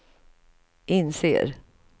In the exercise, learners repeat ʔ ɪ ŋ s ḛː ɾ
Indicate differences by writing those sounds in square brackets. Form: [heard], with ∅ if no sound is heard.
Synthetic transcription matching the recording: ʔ ɪ [n] s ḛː ɾ